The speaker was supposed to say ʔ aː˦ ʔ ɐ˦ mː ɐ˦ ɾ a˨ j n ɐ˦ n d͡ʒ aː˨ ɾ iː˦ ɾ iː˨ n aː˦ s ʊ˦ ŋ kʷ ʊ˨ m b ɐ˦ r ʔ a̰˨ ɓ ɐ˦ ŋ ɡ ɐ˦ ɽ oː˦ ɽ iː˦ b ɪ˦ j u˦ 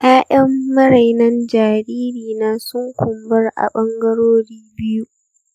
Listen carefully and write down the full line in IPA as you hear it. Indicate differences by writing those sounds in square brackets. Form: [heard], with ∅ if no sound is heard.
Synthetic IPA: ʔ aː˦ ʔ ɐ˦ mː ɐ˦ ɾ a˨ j n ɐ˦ n d͡ʒ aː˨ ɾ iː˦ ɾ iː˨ n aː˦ s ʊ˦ ŋ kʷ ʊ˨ m b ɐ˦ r ʔ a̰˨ ɓ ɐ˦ ŋ ɡ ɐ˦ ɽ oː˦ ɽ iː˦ b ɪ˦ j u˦